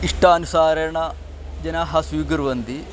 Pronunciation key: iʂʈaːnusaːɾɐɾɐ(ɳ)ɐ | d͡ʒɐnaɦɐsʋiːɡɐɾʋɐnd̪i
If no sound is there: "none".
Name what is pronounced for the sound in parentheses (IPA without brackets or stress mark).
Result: ɳ